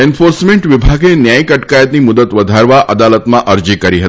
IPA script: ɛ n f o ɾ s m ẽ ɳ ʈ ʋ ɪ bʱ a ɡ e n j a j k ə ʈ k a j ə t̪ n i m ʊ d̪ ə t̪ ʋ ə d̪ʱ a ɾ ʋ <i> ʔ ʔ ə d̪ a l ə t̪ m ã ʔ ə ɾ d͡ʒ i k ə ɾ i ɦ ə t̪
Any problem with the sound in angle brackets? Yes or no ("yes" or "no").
yes